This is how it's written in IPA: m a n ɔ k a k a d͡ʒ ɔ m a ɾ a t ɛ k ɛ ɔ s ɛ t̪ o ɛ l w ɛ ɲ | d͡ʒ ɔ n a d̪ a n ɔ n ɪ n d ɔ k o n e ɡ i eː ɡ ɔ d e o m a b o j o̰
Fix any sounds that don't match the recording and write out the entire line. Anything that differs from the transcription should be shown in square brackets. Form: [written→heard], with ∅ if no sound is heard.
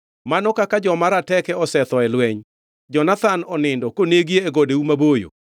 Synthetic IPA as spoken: m a n ɔ k a k a d͡ʒ ɔ m a ɾ a t ɛ k ɛ ɔ s ɛ t̪ [o→ɔ] ɛ l w ɛ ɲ | d͡ʒ ɔ n a [d̪→t̪] a n ɔ n ɪ n d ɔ k o n e ɡ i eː ɡ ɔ d e [o→u] m a b o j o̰